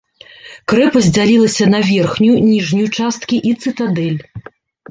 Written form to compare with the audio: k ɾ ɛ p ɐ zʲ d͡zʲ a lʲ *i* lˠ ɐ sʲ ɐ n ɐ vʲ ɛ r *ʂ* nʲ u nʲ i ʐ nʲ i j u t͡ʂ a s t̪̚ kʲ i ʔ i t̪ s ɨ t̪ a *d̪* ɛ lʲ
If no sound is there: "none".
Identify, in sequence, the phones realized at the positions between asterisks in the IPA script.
i, x, d̪

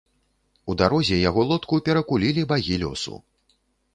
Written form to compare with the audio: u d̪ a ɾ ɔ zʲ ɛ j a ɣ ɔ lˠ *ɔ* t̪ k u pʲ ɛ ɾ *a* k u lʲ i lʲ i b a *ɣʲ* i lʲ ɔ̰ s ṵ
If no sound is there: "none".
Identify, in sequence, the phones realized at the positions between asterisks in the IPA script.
ɔ, ɐ, ɣʲ

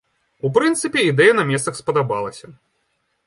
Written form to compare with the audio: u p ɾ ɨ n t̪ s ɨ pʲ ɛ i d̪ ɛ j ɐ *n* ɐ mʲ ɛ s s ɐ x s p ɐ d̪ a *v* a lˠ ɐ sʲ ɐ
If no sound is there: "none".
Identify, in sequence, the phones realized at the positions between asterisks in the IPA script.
n, b

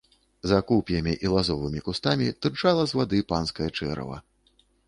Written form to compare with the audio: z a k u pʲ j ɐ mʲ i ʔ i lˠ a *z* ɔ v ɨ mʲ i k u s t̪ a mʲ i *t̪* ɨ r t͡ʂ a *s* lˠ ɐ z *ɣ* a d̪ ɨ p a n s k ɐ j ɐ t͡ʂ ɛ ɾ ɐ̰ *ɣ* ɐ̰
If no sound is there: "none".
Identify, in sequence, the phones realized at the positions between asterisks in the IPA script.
z, t̪, none, v, v

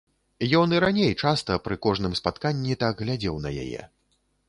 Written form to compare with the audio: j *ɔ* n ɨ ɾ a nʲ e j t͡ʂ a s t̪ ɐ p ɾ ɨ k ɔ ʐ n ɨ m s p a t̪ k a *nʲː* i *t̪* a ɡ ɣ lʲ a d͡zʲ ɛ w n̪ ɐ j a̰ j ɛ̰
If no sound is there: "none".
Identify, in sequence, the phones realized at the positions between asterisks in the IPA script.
ɔ, nʲː, t̪

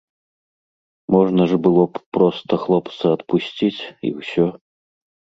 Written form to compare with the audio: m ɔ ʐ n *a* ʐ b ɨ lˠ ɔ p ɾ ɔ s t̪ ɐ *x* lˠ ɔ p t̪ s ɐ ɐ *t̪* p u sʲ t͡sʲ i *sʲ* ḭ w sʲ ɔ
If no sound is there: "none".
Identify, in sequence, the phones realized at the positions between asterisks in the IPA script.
ɐ, x, t̪, t͡sʲ

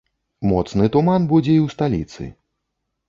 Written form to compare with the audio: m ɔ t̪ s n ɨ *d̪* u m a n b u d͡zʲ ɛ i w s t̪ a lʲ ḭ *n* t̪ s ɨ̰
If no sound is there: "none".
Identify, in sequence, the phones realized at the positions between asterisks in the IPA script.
t̪, none

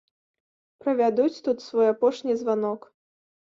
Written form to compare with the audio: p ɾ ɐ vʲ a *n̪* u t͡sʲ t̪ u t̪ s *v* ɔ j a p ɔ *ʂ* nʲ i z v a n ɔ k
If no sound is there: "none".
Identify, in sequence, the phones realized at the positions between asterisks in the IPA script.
d̪, v, ʂ

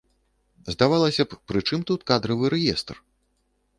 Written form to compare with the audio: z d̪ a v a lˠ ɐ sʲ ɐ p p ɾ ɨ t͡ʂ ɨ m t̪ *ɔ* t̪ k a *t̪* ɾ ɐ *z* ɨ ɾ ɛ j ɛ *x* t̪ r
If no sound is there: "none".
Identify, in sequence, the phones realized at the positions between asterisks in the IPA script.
u, d̪, v, s

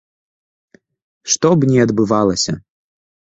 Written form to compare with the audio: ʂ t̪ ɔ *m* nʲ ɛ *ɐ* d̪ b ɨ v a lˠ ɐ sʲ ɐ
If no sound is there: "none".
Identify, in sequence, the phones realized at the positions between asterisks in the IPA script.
b, ɐ

